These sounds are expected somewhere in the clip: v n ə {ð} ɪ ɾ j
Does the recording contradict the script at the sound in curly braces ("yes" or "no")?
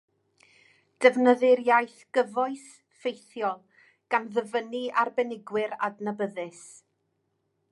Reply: no